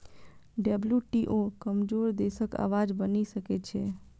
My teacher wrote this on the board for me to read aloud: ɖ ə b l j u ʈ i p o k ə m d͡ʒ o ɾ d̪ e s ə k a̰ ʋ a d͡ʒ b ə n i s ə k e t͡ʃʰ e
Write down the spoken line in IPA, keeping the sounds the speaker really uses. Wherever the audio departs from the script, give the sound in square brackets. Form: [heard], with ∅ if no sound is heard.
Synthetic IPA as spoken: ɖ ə b l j u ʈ i [ʔ] o k ə m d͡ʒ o ɾ d̪ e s ə k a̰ ʋ a d͡ʒ b ə n i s ə k e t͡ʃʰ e